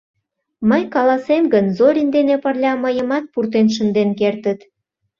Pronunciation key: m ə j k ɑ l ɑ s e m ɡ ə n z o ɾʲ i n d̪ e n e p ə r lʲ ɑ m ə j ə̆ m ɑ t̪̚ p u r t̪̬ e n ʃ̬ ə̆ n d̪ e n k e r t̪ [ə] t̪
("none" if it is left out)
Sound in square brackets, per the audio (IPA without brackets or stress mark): ə